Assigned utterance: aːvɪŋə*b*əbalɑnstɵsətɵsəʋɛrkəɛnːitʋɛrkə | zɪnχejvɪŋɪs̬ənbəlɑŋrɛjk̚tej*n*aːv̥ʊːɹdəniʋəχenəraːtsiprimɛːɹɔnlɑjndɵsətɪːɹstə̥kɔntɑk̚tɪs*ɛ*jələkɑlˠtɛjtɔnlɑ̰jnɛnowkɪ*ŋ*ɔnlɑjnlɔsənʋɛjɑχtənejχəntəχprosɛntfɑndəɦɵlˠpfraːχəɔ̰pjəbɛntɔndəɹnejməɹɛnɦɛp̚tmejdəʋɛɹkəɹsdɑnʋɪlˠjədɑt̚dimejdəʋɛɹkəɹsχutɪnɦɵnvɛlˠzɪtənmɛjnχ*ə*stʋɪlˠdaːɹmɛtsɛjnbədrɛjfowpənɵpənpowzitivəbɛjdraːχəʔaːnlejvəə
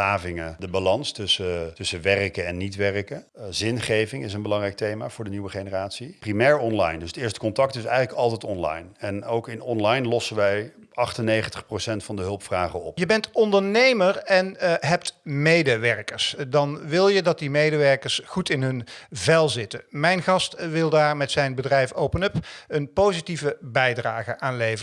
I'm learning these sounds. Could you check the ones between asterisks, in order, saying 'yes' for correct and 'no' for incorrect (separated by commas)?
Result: no, no, yes, no, no